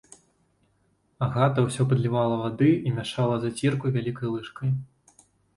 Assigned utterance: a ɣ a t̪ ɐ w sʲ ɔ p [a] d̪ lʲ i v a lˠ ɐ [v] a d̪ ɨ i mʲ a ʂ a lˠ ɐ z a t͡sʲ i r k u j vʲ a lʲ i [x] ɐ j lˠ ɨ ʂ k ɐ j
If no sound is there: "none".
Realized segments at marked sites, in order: ɐ, v, k

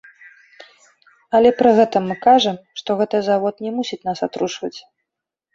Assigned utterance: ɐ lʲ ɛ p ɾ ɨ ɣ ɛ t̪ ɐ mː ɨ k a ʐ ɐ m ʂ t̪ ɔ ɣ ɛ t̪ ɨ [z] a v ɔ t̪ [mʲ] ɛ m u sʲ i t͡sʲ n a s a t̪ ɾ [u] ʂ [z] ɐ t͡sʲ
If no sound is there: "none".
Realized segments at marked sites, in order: z, nʲ, u, v

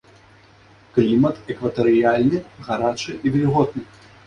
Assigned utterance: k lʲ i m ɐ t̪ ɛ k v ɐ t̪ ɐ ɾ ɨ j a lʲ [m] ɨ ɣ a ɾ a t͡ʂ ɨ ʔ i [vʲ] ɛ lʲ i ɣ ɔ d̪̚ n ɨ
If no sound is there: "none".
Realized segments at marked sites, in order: n, vʲ

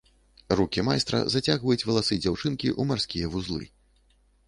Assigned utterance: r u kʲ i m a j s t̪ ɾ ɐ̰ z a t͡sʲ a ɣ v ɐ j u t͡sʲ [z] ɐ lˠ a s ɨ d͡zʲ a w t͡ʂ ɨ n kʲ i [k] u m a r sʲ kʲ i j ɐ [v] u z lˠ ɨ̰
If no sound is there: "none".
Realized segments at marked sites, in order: v, ʔ, v

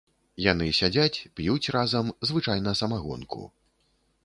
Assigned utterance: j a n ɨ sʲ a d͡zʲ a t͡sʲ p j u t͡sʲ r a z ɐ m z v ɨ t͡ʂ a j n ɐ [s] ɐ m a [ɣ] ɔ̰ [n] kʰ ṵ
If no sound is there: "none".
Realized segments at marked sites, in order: s, ɣ, n

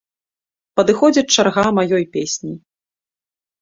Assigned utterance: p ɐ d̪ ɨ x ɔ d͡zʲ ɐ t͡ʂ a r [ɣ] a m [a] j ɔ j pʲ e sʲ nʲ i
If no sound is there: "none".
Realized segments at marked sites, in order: ɣ, a

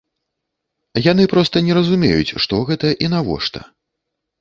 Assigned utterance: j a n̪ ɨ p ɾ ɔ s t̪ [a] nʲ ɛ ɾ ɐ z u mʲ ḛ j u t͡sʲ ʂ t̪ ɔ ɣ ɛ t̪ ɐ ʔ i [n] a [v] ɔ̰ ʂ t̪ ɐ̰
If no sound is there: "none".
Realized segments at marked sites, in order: ɐ, n, v

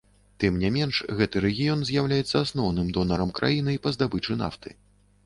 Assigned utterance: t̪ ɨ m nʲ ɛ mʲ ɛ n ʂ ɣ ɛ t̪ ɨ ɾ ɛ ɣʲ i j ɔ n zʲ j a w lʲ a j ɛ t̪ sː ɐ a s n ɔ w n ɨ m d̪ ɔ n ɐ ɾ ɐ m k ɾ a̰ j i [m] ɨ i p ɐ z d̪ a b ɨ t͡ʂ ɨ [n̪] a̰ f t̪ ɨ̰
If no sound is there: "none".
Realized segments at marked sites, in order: n, n̪

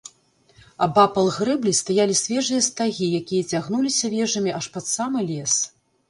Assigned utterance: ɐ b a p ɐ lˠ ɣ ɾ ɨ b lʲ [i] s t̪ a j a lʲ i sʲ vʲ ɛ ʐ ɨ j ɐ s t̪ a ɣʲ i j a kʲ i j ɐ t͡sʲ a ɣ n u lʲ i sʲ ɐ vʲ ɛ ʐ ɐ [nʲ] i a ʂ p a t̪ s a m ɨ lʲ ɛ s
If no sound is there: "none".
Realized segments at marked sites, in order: i, mʲ

